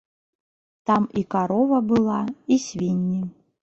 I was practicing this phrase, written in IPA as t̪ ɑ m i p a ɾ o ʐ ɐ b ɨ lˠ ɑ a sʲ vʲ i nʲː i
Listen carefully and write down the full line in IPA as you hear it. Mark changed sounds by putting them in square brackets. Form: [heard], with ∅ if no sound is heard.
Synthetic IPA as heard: t̪ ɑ m i [k] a ɾ o [v] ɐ b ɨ lˠ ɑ [i] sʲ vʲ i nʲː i